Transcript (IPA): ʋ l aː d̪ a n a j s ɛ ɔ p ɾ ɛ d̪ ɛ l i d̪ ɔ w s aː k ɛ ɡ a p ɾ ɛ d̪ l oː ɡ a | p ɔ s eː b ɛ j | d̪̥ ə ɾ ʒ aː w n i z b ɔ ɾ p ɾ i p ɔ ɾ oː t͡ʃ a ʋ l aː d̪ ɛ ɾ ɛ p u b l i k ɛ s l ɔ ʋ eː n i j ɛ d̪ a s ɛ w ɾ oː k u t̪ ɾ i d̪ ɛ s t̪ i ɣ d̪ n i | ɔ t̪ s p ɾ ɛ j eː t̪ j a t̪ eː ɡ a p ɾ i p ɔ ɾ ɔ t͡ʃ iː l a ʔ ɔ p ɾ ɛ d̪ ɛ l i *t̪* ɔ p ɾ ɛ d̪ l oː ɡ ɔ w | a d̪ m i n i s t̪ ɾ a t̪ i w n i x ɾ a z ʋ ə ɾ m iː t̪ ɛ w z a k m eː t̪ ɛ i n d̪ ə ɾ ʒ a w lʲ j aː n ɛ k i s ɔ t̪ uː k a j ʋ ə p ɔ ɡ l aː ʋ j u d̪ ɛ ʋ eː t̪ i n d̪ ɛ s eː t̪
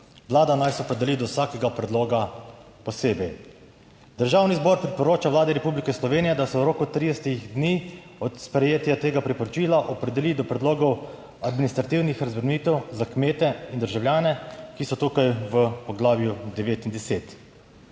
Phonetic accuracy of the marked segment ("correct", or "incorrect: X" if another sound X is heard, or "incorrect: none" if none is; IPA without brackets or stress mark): incorrect: d̪